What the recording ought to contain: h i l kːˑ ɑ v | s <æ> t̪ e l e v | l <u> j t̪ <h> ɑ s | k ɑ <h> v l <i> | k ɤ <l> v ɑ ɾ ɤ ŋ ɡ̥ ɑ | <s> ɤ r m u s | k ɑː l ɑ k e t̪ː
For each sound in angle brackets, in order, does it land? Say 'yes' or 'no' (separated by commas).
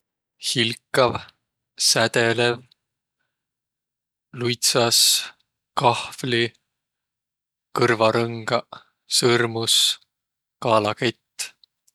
yes, yes, no, yes, yes, no, yes